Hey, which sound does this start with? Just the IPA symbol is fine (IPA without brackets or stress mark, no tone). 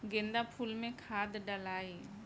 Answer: ɡ